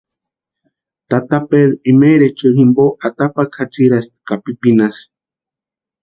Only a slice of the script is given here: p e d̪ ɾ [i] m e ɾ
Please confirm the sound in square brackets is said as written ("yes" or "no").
yes